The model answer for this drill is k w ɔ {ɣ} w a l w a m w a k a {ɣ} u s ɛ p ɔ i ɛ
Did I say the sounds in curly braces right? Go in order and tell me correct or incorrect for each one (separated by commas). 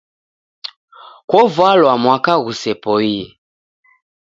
incorrect, correct